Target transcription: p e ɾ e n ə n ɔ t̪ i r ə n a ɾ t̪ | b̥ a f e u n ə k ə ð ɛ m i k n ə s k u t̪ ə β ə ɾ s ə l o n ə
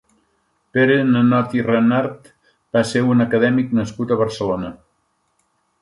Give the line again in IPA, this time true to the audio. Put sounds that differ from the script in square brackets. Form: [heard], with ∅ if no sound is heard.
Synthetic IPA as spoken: p e ɾ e n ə n ɔ t̪ i r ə n a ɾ t̪ | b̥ a [s] e u n ə k ə ð ɛ m i k n ə s k u t̪ ə β ə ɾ s ə l o n ə